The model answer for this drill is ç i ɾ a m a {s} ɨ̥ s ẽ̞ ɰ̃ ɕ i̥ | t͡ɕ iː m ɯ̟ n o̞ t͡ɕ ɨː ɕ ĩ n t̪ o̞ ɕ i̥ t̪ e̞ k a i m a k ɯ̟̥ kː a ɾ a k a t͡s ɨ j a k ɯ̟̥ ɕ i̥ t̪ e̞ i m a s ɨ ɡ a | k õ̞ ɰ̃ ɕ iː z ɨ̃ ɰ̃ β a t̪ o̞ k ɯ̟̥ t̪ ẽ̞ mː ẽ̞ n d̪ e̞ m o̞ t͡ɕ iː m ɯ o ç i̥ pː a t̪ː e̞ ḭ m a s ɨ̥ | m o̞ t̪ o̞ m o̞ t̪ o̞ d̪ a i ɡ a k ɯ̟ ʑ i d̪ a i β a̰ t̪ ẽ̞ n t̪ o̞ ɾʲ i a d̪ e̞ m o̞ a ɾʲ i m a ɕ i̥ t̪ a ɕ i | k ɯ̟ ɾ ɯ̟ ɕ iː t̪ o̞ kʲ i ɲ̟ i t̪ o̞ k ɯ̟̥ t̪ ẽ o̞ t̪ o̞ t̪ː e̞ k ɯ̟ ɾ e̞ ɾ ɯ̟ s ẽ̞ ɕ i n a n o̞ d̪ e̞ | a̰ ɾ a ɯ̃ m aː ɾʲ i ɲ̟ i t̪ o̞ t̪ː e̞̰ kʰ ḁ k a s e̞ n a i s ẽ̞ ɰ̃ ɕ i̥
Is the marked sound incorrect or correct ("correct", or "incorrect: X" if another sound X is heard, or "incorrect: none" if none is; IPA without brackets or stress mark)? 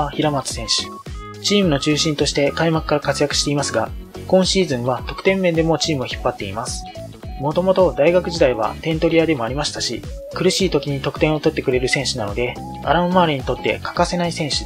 incorrect: t͡s